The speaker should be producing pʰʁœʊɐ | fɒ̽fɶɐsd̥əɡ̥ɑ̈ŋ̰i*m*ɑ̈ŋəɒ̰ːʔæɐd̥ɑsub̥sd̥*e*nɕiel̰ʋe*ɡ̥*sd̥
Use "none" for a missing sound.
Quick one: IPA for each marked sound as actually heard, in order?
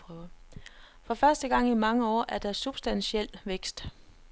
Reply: m, æ, ɡ̥

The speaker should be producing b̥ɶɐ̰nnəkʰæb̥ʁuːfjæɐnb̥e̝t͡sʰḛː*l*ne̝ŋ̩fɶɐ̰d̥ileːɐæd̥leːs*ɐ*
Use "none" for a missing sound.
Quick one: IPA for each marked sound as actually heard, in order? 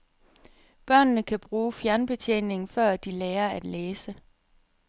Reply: none, ə

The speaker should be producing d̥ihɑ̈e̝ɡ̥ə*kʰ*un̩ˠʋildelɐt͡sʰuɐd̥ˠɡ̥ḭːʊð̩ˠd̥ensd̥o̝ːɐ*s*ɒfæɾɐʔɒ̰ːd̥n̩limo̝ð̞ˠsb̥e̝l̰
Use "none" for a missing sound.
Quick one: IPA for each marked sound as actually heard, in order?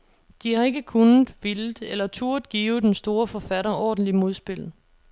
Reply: kʰ, f

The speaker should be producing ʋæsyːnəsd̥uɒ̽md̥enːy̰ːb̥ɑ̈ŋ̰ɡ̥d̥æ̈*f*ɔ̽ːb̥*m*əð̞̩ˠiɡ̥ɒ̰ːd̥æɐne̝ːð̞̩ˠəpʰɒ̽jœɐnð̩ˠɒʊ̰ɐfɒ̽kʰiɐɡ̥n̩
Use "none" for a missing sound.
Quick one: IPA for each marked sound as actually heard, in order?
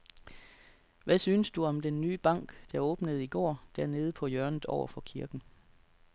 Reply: none, n

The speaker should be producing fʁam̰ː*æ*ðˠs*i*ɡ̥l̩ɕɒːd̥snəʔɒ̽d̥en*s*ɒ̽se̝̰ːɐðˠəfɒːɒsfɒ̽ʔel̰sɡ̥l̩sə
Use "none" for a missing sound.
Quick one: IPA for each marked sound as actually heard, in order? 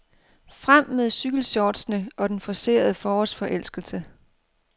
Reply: e, y, f

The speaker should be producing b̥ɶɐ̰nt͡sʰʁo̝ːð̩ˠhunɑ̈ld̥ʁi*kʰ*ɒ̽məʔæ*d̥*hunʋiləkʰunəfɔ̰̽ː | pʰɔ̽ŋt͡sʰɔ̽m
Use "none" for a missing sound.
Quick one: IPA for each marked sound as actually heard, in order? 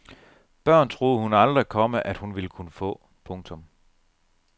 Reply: kʰ, d̥

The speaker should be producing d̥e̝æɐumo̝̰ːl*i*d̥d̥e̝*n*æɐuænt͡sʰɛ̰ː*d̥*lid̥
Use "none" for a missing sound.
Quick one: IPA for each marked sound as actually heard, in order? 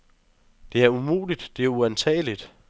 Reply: i, none, none

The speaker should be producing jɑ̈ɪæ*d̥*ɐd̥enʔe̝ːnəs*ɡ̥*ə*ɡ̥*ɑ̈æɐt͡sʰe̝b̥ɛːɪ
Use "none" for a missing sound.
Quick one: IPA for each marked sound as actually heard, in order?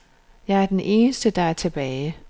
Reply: none, d̥, d̥

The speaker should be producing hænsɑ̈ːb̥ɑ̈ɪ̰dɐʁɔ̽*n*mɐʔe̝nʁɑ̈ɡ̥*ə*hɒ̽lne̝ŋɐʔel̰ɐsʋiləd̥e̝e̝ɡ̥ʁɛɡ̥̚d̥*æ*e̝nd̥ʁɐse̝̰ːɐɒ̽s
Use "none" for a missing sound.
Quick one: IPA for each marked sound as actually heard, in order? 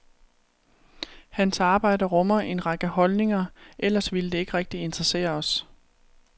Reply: none, ə, i

